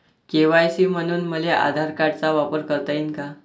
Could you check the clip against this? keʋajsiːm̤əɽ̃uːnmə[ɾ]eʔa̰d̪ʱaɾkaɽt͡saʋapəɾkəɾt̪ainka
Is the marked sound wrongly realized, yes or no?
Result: yes